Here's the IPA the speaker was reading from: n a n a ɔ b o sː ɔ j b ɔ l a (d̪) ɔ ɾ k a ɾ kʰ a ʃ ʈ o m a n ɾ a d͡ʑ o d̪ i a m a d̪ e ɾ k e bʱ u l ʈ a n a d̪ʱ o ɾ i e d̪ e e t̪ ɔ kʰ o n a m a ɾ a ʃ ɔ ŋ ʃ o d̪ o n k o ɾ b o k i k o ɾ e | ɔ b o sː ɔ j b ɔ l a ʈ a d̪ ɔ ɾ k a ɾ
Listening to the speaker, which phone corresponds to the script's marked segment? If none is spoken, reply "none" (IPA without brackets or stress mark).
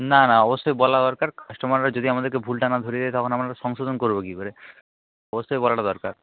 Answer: d̪